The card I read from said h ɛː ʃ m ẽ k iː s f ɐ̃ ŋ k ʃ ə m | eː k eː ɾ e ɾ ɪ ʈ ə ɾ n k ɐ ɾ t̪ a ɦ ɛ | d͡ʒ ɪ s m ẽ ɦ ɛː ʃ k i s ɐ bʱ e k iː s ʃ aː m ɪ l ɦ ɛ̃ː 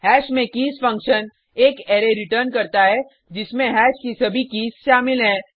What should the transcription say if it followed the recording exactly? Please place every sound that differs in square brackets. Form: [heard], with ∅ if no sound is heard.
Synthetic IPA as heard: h ɛː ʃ m ẽ k iː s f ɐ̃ ŋ k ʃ ə [n] | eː k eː ɾ e ɾ ɪ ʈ ə ɾ n k ɐ ɾ t̪ a ɦ ɛ | d͡ʒ ɪ s m ẽ ɦ ɛː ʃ k i s ɐ bʱ [i] k iː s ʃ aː m ɪ l ɦ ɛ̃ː